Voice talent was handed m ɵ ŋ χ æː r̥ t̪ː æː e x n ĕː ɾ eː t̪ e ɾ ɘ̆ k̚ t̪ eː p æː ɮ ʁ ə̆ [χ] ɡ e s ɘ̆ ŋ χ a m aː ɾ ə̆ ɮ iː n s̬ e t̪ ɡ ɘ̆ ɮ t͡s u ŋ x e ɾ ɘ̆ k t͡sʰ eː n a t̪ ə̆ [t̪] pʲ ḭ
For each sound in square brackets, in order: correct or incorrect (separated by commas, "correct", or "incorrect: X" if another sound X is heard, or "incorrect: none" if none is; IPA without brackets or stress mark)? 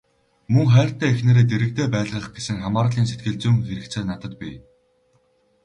correct, correct